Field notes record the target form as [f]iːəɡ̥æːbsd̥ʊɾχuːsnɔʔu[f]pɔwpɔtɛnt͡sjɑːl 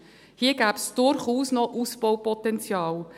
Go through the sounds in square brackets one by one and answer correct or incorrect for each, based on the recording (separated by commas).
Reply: incorrect, incorrect